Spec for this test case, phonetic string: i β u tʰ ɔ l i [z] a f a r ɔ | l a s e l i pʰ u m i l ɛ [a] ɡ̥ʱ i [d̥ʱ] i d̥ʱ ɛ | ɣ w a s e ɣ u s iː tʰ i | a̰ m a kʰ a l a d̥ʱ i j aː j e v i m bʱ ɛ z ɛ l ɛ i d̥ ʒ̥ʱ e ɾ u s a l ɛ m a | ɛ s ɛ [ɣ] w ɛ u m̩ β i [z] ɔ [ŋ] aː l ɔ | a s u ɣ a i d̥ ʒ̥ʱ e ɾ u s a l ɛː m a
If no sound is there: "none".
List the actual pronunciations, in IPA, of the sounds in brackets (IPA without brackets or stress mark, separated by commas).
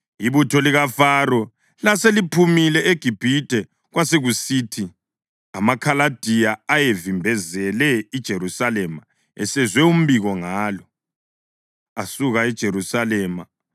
ɣ, e, b̥ʱ, z, ɣ, ŋ